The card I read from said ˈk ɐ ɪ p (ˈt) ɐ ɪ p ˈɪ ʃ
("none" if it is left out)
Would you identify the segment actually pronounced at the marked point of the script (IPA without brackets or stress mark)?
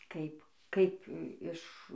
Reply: k